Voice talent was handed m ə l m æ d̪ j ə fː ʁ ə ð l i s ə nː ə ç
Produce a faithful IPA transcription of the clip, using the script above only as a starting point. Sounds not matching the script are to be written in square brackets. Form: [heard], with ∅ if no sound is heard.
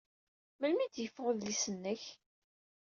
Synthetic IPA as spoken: m ə l m [i] d̪ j ə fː ʁ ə ð l i s ə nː ə ç

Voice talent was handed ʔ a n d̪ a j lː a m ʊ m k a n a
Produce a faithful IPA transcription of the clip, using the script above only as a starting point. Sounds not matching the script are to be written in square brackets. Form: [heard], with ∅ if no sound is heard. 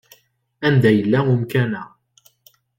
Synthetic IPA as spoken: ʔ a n d̪ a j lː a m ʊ m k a n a

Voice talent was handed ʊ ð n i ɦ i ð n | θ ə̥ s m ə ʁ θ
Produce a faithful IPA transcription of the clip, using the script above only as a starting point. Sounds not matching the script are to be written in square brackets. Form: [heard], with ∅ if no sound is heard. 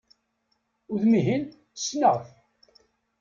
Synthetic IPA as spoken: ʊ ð [m] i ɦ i [∅] n | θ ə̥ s [n] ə ʁ θ

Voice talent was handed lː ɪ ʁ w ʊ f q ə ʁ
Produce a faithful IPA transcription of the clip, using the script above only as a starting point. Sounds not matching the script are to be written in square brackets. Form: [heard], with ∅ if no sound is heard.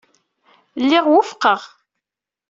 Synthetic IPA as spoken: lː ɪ ʁ w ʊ f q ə ʁ

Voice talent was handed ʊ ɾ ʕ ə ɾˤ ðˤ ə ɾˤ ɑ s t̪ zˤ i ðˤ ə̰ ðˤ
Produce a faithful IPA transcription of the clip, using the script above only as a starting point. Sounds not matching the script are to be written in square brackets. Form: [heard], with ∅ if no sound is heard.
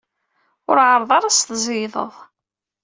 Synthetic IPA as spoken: ʊ ɾ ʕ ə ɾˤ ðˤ [ɑ] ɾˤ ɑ s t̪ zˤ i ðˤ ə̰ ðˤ

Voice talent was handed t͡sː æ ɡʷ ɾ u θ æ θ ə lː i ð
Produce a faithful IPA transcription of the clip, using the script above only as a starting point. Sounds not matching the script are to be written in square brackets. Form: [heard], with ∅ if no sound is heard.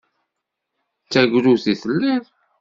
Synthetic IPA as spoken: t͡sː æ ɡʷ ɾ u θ [i] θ ə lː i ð

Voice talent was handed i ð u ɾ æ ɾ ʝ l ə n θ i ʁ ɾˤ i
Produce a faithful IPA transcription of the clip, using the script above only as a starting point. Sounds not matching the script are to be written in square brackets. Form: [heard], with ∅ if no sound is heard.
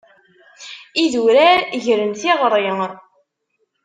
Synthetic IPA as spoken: i ð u ɾ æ ɾ ʝ [ɾ] ə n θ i ʁ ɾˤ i

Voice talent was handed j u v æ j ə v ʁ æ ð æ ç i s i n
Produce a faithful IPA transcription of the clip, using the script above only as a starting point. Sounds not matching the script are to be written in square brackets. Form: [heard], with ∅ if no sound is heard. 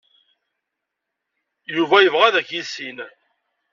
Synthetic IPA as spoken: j u v æ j ə v ʁ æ ð æ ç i s i n

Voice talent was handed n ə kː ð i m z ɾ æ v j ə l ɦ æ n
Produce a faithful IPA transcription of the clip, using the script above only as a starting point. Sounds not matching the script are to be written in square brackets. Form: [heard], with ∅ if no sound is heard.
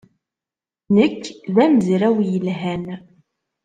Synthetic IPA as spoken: n ə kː ð [æ] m z ɾ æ [w] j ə l ɦ æ n

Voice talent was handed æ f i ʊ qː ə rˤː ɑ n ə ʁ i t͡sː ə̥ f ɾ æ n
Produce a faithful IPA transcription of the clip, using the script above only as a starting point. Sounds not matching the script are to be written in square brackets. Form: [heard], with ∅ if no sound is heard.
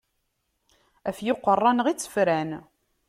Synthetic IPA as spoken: æ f [j] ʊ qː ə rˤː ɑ n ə ʁ i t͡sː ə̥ f ɾ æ n

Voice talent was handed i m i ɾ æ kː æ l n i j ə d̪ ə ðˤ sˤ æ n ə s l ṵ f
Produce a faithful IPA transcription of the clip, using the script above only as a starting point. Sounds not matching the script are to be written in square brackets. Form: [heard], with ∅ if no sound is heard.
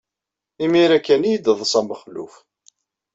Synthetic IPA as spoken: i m i ɾ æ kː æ [∅] n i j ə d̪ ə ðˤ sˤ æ [m] ə [χ] l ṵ f

